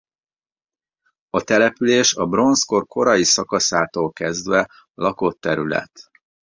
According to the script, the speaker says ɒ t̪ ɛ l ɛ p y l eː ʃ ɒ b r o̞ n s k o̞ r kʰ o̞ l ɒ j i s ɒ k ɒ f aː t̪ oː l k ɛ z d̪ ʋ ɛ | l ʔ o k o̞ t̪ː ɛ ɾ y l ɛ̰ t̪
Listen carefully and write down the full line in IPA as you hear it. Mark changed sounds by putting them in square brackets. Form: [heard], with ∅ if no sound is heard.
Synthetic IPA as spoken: ɒ t̪ ɛ l ɛ p y l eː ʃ ɒ b r o̞ n s k o̞ r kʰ o̞ [ɾ] ɒ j i s ɒ k ɒ [s] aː t̪ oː l k ɛ z d̪ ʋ ɛ | l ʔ [ɒ] k o̞ t̪ː ɛ ɾ y l ɛ̰ t̪